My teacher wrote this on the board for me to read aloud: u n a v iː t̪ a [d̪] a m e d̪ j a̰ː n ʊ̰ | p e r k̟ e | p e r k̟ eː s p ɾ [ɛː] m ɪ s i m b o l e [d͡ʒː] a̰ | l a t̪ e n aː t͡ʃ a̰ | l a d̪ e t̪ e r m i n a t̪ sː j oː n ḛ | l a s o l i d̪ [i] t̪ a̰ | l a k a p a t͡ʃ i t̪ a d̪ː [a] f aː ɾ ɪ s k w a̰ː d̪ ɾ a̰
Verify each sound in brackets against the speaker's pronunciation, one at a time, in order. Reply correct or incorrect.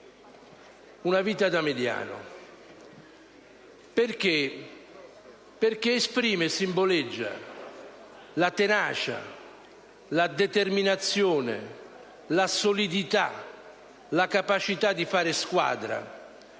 correct, incorrect: iː, correct, correct, incorrect: i

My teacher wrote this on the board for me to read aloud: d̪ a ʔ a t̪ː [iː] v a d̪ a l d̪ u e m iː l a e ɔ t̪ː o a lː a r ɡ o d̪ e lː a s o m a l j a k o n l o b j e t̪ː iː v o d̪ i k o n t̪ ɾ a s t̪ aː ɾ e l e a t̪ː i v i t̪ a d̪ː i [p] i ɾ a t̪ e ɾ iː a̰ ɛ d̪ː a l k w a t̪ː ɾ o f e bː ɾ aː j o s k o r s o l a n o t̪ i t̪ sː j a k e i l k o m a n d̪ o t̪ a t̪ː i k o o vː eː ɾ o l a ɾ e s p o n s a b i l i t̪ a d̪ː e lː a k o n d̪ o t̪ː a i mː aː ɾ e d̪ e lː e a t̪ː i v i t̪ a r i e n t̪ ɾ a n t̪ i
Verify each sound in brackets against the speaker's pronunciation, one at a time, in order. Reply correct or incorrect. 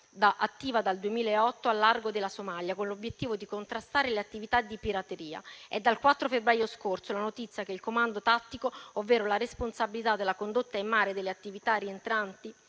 correct, correct

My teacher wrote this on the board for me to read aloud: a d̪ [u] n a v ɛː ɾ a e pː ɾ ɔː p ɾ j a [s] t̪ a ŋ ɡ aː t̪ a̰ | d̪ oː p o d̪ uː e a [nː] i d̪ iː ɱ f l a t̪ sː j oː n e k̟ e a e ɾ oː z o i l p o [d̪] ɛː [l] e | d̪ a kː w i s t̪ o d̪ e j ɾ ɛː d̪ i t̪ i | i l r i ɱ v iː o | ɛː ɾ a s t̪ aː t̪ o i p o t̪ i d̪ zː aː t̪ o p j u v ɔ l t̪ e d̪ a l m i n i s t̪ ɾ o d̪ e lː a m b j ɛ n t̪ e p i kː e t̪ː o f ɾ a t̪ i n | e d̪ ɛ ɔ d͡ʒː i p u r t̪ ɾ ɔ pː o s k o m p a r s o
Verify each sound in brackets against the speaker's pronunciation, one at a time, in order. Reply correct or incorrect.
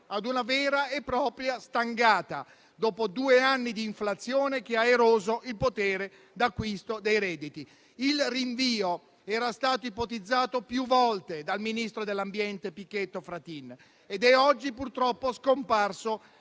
correct, correct, correct, incorrect: t̪, incorrect: ɾ

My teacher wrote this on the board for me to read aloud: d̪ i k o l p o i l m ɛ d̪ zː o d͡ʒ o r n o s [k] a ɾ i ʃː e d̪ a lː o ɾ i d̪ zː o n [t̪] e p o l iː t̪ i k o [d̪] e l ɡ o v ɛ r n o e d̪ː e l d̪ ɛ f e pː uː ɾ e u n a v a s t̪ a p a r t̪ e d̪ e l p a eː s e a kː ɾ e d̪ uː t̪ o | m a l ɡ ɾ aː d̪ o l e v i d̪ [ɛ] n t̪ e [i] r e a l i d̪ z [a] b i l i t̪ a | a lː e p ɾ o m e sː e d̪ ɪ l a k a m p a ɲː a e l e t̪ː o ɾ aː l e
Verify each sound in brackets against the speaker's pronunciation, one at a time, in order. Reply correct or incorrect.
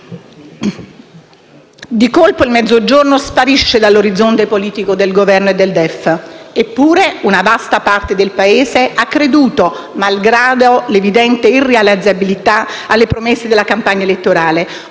incorrect: p, correct, correct, correct, correct, correct

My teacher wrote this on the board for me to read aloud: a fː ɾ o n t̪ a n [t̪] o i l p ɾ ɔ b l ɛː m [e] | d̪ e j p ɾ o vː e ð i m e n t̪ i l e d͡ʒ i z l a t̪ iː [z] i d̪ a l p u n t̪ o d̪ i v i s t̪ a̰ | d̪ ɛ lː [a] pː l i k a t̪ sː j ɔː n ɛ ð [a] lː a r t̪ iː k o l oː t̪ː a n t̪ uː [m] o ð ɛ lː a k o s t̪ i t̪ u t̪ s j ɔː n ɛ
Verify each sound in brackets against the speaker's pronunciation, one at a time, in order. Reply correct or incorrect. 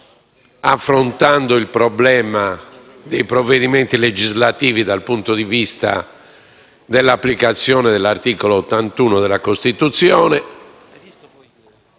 incorrect: d̪, incorrect: a, incorrect: v, correct, incorrect: ɛ, incorrect: n

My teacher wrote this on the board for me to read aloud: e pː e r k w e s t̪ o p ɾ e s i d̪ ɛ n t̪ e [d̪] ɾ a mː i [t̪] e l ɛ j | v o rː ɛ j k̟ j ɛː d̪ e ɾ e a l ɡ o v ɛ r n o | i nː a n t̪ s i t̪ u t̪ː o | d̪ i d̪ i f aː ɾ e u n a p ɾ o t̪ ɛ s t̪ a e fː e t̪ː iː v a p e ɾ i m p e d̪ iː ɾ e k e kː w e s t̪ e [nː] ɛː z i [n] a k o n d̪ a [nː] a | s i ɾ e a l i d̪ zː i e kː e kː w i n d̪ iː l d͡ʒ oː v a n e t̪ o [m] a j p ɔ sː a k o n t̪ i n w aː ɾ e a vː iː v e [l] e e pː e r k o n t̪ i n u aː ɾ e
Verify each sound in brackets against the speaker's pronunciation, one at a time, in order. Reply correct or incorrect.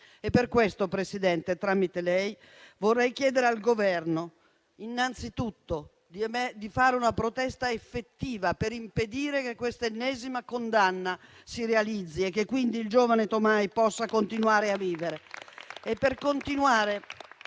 incorrect: t̪, correct, correct, incorrect: m, correct, correct, incorrect: ɾ

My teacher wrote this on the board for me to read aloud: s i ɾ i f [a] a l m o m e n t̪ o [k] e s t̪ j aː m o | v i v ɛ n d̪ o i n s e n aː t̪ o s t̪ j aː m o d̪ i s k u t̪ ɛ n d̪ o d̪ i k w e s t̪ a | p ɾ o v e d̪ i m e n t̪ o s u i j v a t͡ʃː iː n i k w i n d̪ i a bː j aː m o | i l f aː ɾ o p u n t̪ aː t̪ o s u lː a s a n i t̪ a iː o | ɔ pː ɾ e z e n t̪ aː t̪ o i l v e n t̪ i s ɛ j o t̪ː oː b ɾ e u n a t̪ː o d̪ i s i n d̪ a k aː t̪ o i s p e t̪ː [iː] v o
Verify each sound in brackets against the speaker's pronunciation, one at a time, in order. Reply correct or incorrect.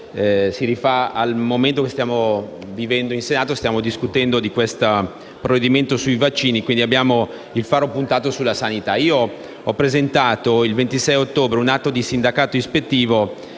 correct, correct, correct

